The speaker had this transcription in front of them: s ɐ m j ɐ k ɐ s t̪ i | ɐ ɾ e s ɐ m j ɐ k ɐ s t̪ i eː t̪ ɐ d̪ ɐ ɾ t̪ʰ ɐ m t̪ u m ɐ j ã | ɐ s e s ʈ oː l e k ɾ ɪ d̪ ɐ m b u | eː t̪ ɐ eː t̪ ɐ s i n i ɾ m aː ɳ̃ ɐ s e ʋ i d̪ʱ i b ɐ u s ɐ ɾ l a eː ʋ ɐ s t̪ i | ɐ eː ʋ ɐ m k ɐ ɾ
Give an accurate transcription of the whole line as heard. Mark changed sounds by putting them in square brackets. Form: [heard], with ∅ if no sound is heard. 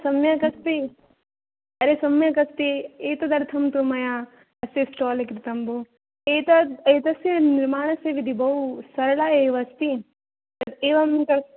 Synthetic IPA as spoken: s ɐ m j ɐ k ɐ s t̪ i | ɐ ɾ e s ɐ m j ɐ k ɐ s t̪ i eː t̪ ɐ d̪ ɐ ɾ t̪ʰ ɐ m t̪ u m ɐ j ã | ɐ s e s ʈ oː l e k ɾ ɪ [t̪] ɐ m b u | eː t̪ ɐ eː t̪ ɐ s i n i ɾ m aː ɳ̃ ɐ s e ʋ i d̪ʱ i b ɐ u s ɐ ɾ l a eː ʋ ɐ s t̪ i | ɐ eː ʋ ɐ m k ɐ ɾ